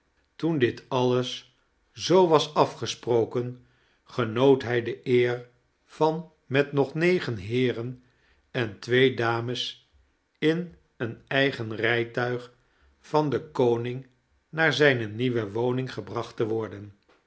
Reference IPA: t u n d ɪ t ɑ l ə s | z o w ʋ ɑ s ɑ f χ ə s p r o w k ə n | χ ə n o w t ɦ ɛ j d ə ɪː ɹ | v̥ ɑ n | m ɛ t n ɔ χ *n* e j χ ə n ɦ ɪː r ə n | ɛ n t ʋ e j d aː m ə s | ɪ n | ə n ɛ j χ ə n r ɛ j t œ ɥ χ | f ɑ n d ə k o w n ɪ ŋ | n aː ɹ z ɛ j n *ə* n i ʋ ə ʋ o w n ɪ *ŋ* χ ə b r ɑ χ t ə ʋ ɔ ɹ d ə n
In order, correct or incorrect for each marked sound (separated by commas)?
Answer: correct, correct, correct